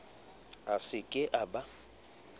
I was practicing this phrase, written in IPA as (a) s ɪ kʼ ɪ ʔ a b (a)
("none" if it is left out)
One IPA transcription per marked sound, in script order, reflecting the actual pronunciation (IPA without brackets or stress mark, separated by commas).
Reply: a, a